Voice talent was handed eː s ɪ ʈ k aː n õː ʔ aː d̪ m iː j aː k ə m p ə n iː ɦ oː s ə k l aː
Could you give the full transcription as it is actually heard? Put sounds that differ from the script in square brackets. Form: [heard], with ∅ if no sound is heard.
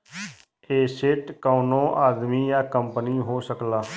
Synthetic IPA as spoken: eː s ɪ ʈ k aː n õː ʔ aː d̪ m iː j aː k ə m p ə n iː ɦ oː s ə k l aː